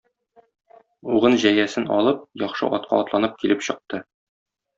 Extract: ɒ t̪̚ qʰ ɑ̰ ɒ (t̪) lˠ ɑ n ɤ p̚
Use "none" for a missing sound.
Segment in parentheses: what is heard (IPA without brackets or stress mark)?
t̪